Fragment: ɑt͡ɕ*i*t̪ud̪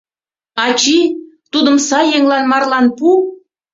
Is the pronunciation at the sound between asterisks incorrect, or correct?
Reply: correct